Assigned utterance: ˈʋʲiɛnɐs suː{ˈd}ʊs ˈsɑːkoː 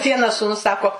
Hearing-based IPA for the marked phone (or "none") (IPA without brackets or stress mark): n